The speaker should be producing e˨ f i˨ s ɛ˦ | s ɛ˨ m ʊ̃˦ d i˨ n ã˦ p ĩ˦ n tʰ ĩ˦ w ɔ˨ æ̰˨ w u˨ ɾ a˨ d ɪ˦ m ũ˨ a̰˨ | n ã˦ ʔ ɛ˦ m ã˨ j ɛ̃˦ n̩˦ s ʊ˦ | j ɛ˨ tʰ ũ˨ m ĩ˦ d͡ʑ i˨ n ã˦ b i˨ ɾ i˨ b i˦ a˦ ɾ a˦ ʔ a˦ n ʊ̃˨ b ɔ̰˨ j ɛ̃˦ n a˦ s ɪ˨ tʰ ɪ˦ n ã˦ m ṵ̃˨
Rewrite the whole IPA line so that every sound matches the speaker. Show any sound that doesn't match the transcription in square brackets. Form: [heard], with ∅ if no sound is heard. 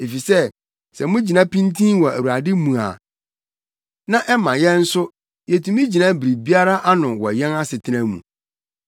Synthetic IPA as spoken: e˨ f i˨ s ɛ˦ | s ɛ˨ m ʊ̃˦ [d͡ʑ] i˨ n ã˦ p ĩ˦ n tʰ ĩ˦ w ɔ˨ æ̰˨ w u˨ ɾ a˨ d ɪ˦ m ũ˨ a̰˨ | n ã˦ ʔ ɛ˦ m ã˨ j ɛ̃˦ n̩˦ s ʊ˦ | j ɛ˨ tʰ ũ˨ m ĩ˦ d͡ʑ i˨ n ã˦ b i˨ ɾ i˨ b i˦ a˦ ɾ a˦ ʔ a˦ n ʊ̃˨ [w] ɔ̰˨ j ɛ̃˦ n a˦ s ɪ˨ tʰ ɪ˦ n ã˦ m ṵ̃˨

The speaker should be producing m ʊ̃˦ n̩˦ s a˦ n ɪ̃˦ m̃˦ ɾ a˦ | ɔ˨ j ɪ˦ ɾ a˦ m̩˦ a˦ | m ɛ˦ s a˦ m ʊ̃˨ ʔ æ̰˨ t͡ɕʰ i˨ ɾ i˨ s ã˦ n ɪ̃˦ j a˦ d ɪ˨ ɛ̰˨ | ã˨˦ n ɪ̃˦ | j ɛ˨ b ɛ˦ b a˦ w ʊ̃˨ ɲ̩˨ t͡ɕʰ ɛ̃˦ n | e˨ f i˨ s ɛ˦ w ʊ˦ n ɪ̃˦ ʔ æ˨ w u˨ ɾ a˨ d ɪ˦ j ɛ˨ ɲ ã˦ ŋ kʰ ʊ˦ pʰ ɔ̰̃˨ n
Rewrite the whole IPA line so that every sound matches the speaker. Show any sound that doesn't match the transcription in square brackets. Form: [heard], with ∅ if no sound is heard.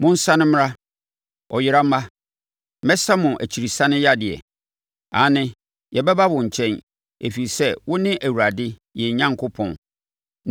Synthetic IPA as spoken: m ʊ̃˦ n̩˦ s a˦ n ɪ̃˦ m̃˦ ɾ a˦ | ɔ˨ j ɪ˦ ɾ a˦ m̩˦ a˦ | m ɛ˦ s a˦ m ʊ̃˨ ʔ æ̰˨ t͡ɕʰ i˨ ɾ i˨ s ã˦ n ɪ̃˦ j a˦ d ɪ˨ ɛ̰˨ | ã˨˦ n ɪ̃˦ | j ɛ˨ b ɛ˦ b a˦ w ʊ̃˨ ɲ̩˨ t͡ɕʰ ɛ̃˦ n | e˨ f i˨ s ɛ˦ w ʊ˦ n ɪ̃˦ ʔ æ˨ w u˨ ɾ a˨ d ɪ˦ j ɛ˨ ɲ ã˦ ŋ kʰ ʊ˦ pʰ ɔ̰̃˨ n

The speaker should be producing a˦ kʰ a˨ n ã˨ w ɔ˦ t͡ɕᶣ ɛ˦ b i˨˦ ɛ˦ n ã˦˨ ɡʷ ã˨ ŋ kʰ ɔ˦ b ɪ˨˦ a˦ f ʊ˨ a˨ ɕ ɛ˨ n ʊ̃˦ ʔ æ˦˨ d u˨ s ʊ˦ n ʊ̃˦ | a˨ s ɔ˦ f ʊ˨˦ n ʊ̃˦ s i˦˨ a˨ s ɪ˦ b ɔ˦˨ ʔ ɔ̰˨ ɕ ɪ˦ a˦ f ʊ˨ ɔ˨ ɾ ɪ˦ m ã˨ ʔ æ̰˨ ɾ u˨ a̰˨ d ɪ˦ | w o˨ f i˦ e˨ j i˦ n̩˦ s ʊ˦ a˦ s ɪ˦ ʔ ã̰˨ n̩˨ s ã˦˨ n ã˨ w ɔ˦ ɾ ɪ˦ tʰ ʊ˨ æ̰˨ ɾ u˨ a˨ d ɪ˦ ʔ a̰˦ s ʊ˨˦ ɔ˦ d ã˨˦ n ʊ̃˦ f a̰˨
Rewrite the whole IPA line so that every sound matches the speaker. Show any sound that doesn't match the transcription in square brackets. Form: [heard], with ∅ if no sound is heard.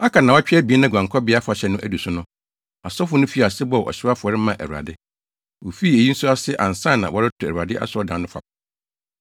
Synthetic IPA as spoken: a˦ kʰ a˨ n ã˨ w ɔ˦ t͡ɕᶣ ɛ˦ b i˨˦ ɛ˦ n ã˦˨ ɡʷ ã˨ ŋ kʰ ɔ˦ b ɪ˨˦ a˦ f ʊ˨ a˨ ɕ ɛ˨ n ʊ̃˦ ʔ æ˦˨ d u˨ s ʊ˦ n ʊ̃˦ | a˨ s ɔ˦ f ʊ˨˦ n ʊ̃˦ [f] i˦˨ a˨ s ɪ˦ b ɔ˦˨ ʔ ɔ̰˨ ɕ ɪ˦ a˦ f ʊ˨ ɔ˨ ɾ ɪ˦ m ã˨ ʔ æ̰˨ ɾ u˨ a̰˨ d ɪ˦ | w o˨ f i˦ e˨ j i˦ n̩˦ s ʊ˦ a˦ s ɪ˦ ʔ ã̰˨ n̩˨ s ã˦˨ n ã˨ w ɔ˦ ɾ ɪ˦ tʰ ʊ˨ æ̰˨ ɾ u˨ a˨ d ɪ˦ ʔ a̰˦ s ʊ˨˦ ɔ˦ d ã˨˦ n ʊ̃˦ f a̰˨

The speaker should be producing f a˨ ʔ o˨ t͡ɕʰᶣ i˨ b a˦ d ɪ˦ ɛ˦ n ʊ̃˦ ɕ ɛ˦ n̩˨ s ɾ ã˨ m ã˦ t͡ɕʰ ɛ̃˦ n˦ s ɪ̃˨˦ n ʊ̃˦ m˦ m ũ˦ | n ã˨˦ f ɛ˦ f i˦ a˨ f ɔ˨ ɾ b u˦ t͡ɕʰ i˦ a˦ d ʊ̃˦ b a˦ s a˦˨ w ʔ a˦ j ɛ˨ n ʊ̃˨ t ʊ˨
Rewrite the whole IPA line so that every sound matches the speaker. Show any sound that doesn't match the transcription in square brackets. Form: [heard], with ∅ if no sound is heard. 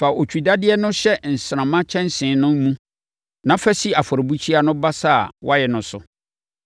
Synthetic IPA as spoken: f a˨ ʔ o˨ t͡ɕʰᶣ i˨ [d] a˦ d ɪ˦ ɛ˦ n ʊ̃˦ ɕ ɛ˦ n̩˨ s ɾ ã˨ m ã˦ t͡ɕʰ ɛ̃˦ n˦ s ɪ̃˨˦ n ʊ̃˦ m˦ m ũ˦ | n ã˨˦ f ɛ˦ [s] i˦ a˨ f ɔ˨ ɾ b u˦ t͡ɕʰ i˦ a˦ [n] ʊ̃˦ b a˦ s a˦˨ w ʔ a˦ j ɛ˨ n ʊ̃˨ [s] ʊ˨

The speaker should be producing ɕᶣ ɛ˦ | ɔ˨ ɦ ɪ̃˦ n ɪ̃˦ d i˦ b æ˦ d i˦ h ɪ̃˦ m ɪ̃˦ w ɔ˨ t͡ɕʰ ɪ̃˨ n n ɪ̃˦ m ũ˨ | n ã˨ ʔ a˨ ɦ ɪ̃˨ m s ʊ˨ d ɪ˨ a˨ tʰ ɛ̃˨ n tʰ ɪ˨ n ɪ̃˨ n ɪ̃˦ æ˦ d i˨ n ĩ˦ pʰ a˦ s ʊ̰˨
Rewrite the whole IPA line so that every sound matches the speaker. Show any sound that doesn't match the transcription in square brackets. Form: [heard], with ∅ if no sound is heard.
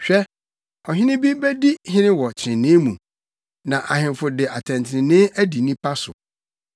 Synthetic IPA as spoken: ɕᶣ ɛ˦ | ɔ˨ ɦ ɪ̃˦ n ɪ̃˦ [b] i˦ b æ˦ d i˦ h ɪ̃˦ [n] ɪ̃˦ w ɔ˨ t͡ɕʰ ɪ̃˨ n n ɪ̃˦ m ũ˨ | n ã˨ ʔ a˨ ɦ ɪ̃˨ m [f] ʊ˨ d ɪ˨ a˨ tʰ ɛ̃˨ n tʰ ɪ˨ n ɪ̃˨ n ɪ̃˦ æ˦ d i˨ n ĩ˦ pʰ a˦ s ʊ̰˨

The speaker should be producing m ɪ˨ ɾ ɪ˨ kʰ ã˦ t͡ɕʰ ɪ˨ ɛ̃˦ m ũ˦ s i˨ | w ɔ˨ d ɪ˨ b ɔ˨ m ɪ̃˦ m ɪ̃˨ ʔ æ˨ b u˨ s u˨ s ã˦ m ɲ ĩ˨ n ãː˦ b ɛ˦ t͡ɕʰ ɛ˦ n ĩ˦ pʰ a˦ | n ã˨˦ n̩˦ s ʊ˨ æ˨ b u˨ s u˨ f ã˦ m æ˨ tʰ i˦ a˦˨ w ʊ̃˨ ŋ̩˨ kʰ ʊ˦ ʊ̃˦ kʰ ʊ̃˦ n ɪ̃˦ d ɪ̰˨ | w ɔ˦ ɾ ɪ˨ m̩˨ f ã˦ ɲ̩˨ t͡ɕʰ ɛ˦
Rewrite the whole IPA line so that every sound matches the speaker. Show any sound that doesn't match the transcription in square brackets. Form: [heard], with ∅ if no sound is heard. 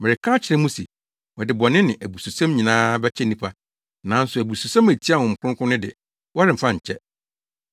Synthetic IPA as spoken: m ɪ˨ ɾ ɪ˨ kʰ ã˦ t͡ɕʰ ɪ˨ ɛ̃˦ m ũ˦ s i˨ | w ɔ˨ d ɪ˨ b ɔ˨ [n] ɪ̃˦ [n] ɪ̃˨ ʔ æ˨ b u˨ s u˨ s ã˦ m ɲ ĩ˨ n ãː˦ b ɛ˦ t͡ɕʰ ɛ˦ n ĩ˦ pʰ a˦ | n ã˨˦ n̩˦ s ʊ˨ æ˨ b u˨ s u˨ [s] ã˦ m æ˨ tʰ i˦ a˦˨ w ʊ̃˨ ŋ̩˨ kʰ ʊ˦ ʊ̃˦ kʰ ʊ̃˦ n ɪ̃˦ d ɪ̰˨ | w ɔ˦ ɾ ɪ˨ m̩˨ f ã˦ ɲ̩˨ t͡ɕʰ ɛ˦

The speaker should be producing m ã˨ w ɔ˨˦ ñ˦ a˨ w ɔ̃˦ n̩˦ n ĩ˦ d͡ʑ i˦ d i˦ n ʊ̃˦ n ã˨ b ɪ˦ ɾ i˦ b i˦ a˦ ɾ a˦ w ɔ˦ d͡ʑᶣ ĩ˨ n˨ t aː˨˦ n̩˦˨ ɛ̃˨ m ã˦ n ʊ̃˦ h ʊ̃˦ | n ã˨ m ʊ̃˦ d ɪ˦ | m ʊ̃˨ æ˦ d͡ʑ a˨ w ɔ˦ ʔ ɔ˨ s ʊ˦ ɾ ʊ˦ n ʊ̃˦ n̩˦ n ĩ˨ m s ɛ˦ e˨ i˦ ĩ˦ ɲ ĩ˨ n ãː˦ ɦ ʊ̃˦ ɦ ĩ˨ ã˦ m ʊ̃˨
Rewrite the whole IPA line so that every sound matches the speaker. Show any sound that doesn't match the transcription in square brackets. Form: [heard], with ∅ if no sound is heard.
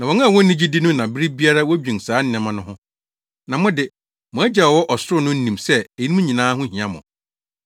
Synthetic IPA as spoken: [n] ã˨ w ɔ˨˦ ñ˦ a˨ w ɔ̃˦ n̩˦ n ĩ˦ d͡ʑ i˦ d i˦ n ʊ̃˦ n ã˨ b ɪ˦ ɾ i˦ b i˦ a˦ ɾ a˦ w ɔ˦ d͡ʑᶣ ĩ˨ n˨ [s] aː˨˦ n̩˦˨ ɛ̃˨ m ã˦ n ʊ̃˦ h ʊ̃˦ | n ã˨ m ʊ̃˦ d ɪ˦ | m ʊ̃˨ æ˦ d͡ʑ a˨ w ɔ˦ ʔ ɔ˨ s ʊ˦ ɾ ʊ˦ n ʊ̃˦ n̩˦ n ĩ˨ m s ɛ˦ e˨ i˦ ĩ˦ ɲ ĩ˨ n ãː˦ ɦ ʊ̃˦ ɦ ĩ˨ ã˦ m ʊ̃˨

